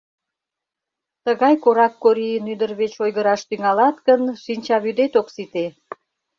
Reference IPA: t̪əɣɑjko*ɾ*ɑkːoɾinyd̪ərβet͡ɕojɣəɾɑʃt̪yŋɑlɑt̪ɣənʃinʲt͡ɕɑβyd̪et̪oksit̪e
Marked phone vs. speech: correct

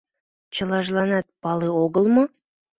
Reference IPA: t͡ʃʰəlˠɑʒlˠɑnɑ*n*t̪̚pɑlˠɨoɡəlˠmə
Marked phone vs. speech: incorrect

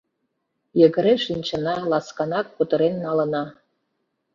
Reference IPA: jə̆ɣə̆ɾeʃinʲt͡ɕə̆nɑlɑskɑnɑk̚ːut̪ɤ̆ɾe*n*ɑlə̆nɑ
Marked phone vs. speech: incorrect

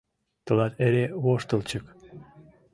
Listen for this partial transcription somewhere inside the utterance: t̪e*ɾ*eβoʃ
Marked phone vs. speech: correct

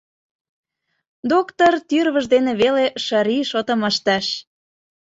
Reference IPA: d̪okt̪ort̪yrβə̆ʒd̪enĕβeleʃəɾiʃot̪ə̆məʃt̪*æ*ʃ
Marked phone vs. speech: correct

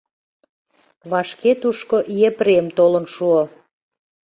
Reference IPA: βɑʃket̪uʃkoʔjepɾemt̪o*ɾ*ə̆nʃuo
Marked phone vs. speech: incorrect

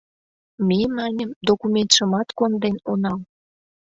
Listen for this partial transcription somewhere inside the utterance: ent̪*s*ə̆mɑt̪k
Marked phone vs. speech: incorrect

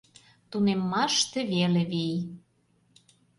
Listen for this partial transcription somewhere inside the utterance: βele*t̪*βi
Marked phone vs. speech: incorrect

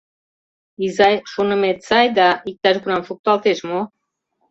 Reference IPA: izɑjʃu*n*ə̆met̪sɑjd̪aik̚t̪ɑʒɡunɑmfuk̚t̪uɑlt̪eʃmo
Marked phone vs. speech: correct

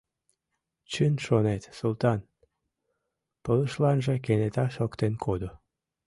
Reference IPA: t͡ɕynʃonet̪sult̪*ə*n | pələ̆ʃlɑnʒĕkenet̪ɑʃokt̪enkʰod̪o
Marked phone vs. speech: incorrect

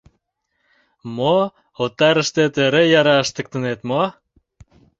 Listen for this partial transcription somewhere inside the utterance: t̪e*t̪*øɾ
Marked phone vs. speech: correct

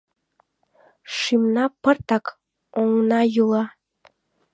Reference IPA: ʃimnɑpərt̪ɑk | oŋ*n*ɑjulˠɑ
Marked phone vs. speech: correct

